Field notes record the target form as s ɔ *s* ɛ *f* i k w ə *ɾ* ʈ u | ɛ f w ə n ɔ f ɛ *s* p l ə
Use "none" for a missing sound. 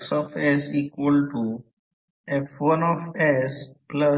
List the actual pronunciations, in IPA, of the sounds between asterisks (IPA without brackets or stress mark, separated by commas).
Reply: f, s, l, s